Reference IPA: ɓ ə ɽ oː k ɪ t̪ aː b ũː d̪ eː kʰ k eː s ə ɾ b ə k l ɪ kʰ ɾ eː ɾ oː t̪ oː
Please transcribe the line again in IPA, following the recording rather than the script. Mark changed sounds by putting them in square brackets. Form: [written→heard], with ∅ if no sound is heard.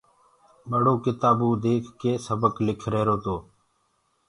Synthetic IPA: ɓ ə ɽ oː k ɪ t̪ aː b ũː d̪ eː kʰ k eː s ə [ɾ→∅] b ə k l ɪ kʰ ɾ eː ɾ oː t̪ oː